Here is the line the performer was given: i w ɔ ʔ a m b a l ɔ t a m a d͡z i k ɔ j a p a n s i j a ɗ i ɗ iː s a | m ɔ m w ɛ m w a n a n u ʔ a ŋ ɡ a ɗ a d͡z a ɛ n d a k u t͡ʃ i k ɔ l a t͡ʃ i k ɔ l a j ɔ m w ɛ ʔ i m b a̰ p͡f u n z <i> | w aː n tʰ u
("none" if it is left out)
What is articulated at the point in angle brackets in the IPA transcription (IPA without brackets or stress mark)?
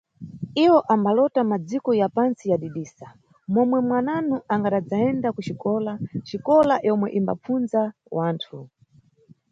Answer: a